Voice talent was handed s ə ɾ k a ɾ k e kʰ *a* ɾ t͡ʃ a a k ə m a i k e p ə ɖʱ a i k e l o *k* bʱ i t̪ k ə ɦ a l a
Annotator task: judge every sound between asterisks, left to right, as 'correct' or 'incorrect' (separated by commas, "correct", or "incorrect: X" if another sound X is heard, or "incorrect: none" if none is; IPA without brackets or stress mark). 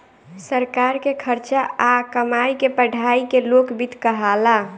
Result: incorrect: ə, correct